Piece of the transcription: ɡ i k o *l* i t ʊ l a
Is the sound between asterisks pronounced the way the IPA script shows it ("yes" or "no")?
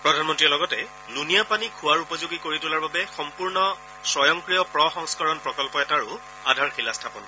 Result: no